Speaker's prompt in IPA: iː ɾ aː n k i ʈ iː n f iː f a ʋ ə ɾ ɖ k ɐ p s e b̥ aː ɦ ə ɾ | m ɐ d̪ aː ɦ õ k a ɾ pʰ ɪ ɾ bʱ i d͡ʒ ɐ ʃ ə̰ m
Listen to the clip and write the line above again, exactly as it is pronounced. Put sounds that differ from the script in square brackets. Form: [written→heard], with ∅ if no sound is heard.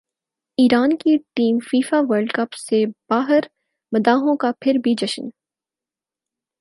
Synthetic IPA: iː ɾ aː n k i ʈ iː [n→m] f iː f a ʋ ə ɾ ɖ k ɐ p s e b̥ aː ɦ ə ɾ | m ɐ d̪ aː ɦ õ k a [ɾ→∅] pʰ ɪ ɾ bʱ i d͡ʒ ɐ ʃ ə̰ [m→n]